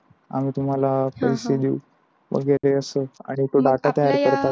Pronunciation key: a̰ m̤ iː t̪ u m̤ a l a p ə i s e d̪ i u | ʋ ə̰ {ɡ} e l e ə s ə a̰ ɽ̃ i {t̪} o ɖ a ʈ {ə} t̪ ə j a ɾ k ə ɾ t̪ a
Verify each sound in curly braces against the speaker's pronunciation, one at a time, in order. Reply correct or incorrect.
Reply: correct, correct, incorrect

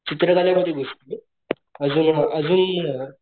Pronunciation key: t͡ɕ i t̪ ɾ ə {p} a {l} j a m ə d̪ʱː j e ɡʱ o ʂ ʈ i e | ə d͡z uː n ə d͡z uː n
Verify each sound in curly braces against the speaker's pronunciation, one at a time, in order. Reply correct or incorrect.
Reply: incorrect, correct

